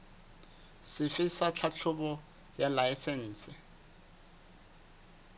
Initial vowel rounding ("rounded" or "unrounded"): unrounded